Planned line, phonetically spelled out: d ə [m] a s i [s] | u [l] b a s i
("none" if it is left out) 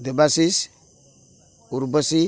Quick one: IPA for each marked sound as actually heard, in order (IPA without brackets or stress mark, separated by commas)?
b, s, ɾ